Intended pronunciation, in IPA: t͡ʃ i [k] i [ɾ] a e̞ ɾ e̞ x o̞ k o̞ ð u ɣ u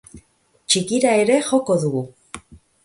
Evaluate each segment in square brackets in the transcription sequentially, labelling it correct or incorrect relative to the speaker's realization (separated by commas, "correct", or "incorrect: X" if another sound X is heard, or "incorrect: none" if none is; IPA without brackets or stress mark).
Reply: correct, correct